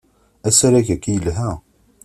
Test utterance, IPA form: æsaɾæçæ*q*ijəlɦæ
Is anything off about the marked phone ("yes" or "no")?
yes